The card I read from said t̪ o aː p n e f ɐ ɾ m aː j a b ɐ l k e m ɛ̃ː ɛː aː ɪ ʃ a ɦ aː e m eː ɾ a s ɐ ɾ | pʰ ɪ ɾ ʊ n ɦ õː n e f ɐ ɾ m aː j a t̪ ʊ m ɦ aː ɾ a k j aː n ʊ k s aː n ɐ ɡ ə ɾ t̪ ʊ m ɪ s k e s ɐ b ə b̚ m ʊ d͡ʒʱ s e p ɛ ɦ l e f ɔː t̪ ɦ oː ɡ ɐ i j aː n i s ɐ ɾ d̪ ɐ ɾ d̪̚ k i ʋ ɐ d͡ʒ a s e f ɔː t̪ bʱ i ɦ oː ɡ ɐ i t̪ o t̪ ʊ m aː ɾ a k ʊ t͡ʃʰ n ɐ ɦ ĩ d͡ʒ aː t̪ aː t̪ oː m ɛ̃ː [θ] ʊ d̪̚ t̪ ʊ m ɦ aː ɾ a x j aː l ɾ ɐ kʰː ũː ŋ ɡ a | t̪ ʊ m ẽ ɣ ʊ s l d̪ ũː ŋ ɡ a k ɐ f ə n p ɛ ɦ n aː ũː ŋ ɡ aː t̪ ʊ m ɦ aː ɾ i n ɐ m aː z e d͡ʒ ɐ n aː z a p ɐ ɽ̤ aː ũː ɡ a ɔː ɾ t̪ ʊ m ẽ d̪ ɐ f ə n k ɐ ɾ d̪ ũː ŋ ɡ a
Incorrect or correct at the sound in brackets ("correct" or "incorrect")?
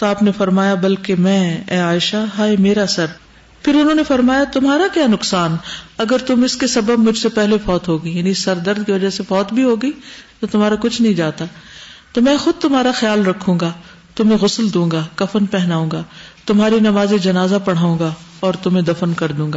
incorrect